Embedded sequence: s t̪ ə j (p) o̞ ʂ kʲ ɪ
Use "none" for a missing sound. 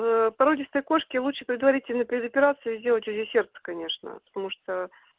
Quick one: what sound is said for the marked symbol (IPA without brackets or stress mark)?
k